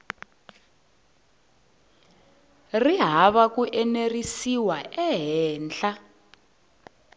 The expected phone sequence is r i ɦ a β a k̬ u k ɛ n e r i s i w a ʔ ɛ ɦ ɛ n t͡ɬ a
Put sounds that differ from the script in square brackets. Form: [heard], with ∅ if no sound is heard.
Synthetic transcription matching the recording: r i ɦ a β a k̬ u [ʔ] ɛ n e r i s i w a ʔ ɛ ɦ [ɛː] n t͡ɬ a